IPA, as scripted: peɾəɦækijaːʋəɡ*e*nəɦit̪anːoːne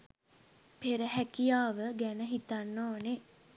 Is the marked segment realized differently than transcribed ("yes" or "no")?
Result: yes